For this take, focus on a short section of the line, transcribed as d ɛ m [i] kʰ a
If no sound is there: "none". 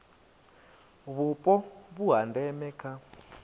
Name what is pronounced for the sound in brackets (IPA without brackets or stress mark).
ɛ